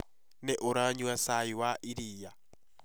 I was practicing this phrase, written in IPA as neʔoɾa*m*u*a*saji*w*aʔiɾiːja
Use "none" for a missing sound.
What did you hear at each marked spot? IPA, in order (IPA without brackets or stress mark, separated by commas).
ɲ, a, w